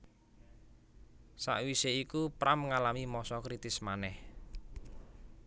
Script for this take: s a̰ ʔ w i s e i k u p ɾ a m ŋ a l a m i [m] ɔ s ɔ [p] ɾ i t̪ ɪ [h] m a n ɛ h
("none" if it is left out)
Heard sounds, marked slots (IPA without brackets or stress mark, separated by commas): m, k, s